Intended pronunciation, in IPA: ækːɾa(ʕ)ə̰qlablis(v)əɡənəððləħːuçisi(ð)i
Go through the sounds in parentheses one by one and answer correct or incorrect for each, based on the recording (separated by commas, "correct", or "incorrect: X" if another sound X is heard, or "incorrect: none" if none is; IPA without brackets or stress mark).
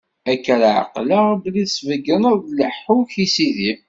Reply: correct, correct, correct